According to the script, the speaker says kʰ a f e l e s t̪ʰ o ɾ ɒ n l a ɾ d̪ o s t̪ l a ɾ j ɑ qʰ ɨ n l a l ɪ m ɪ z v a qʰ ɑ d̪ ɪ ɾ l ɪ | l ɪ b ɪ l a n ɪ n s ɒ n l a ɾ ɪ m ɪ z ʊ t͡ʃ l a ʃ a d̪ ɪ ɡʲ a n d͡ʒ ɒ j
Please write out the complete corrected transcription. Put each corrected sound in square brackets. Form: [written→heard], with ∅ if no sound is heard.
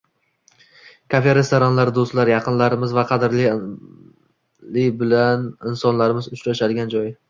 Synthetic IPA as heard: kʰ a f e [l→ɾ] e s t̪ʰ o ɾ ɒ n l a ɾ d̪ o s t̪ l a ɾ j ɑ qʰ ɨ n l a [l→ɾ] ɪ m ɪ z v a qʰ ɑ d̪ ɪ ɾ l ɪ | l ɪ b ɪ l a n ɪ n s ɒ n l a ɾ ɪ m ɪ z ʊ t͡ʃ [l→ɾ] a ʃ a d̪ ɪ ɡʲ a n d͡ʒ ɒ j

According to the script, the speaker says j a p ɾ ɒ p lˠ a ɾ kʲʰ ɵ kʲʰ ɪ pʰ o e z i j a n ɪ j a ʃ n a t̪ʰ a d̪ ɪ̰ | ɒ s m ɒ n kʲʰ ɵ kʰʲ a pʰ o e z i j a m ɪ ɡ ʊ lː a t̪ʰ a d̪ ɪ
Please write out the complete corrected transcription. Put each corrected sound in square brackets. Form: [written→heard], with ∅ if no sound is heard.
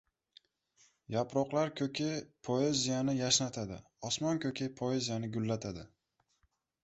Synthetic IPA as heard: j a p ɾ ɒ [p→q] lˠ a ɾ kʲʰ ɵ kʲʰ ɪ pʰ o e z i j a n ɪ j a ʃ n a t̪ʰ a d̪ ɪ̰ | ɒ s m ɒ n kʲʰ ɵ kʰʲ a pʰ o e z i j a [m→n] ɪ ɡ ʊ lː a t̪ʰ a d̪ ɪ

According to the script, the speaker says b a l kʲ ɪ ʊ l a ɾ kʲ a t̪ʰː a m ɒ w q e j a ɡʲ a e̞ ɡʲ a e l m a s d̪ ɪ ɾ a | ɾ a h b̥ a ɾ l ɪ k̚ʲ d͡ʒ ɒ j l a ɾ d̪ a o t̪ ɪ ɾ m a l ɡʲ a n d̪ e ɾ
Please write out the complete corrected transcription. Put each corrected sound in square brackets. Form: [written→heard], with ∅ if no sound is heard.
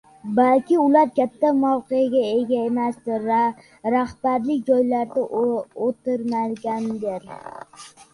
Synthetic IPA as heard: b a l kʲ ɪ ʊ l a ɾ kʲ a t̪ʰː a m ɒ w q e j a ɡʲ a e̞ ɡʲ a e [l→∅] m a s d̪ ɪ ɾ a | ɾ a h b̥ a ɾ l ɪ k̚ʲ d͡ʒ ɒ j l a ɾ d̪ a o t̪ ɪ ɾ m a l ɡʲ a n d̪ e ɾ

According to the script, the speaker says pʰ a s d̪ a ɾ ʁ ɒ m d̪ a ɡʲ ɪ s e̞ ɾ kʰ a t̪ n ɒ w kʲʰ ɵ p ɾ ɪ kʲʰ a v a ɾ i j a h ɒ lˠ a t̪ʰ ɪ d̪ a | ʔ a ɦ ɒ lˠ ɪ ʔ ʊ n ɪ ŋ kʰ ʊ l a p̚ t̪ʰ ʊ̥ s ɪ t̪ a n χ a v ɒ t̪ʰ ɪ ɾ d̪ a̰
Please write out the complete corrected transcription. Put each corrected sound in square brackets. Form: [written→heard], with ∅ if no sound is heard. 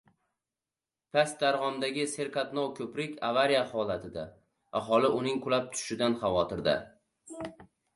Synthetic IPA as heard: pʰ a s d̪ a ɾ ʁ ɒ m d̪ a ɡʲ ɪ s e̞ ɾ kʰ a t̪ n ɒ w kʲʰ ɵ p ɾ ɪ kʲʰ a v a ɾ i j a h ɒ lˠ a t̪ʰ ɪ d̪ a | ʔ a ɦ ɒ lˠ ɪ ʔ ʊ n ɪ ŋ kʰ ʊ l a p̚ t̪ʰ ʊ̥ [s→ʃ] ɪ [t̪→d̪] a n χ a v ɒ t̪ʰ ɪ ɾ d̪ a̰

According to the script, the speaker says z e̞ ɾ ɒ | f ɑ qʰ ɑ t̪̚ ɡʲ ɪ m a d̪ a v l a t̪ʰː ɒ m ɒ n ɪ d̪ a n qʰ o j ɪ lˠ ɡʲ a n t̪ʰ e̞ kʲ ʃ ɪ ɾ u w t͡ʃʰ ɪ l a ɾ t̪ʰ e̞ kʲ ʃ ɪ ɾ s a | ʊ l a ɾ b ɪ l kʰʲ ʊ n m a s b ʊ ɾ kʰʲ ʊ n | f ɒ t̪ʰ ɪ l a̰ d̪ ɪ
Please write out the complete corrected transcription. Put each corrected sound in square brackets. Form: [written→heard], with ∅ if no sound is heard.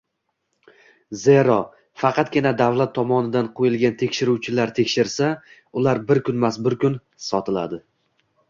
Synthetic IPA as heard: z e̞ ɾ ɒ | f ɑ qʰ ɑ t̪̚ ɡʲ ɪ [m→n] a d̪ a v l a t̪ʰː ɒ m ɒ n ɪ d̪ a n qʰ o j ɪ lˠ ɡʲ a n t̪ʰ e̞ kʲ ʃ ɪ ɾ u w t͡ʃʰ ɪ l a ɾ t̪ʰ e̞ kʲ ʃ ɪ ɾ s a | ʊ l a ɾ b ɪ [l→ɾ] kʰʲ ʊ n m a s b ʊ ɾ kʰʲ ʊ n | [f→s] ɒ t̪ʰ ɪ l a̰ d̪ ɪ

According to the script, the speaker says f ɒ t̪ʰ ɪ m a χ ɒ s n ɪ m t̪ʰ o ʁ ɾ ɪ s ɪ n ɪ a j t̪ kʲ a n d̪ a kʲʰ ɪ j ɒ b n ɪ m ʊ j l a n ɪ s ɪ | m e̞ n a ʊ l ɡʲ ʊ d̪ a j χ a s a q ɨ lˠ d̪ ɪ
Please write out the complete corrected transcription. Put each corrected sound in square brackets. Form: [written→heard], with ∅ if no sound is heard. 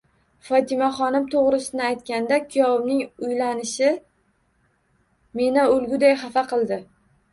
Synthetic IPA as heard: f ɒ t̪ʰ ɪ m a χ ɒ [s→∅] n ɪ m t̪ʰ o ʁ ɾ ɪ s ɪ n ɪ a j t̪ kʲ a n d̪ a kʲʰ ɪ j ɒ b n ɪ [m→ŋ] ʊ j l a n ɪ [s→ʃ] ɪ | m e̞ n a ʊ l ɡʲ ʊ d̪ a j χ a [s→f] a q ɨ lˠ d̪ ɪ

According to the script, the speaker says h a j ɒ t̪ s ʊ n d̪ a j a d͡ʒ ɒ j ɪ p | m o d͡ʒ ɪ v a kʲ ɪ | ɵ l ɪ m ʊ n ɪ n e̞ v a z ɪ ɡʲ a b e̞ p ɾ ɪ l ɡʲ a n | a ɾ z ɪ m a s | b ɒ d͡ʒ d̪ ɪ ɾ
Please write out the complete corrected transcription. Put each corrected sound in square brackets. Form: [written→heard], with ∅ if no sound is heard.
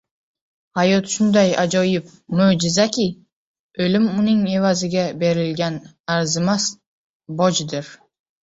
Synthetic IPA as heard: h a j ɒ t̪ [s→ʃ] ʊ n d̪ a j a d͡ʒ ɒ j ɪ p | m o d͡ʒ ɪ [v→z] a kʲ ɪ | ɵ l ɪ m ʊ n ɪ [n→ŋ] e̞ v a z ɪ ɡʲ a b e̞ [p→∅] ɾ ɪ l ɡʲ a n | a ɾ z ɪ m a s | b ɒ d͡ʒ d̪ ɪ ɾ

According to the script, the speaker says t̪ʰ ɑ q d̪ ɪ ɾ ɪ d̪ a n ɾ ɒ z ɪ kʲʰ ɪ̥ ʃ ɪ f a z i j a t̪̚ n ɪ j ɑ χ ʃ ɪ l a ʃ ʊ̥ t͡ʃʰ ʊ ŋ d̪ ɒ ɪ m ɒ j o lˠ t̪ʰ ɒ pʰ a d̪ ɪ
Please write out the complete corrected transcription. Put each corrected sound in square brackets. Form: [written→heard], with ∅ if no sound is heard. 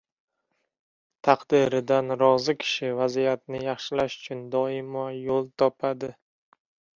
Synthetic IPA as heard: t̪ʰ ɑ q d̪ ɪ ɾ ɪ d̪ a n ɾ ɒ z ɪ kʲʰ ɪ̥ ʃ ɪ [f→v] a z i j a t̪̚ n ɪ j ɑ χ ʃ ɪ l a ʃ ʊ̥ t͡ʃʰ ʊ [ŋ→n] d̪ ɒ ɪ m ɒ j o lˠ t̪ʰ ɒ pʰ a d̪ ɪ

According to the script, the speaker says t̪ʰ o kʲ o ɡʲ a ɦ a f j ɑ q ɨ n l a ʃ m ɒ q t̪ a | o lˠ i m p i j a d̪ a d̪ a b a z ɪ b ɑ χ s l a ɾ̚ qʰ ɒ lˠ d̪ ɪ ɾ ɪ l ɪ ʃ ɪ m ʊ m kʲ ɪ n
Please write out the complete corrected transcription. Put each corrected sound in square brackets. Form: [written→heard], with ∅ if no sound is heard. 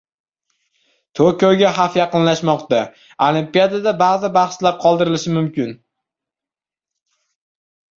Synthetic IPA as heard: t̪ʰ o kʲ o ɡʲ a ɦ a f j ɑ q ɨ n l a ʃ m ɒ q t̪ a | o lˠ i m p i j a d̪ a d̪ a b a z ɪ b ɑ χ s l a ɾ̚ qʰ ɒ lˠ d̪ ɪ ɾ ɪ l ɪ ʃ ɪ m ʊ m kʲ ɪ n

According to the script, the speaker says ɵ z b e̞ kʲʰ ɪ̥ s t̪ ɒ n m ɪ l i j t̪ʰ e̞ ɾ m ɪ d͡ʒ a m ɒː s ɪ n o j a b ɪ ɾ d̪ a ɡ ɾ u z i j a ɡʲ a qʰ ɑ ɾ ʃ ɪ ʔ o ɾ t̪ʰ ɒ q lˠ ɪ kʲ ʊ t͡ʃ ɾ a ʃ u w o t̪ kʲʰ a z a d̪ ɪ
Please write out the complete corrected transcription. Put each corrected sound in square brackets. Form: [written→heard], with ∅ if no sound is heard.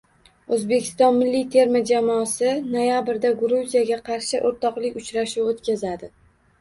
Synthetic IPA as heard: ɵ z b e̞ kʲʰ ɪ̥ s t̪ ɒ n m ɪ [l→lː] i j t̪ʰ e̞ ɾ m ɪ d͡ʒ a m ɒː s ɪ n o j a b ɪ ɾ d̪ a ɡ ɾ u z i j a ɡʲ a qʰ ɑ ɾ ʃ ɪ ʔ o ɾ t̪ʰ ɒ q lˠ ɪ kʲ ʊ t͡ʃ ɾ a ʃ u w o t̪ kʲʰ a z a d̪ ɪ

